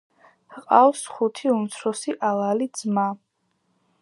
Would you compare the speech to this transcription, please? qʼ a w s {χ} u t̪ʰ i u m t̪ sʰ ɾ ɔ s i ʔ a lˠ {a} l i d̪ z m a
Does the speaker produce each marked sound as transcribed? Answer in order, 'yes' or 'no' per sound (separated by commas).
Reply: yes, yes